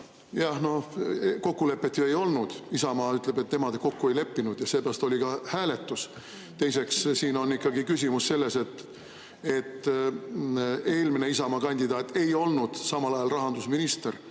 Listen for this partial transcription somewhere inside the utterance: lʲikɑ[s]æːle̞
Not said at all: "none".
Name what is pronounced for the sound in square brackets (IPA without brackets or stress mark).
h